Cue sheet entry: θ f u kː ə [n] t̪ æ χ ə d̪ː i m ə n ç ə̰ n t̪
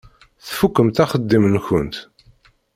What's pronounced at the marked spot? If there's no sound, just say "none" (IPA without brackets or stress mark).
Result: m